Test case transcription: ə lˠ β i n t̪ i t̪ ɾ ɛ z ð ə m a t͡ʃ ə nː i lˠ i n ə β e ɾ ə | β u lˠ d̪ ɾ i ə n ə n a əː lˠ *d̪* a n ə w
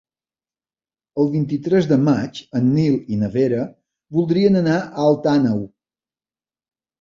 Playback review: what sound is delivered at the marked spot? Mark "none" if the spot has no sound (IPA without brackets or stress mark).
t̪